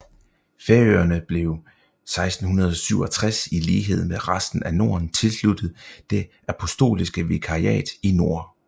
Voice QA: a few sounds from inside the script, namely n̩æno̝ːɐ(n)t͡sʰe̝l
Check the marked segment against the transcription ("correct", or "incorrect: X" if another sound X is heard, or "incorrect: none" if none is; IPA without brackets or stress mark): correct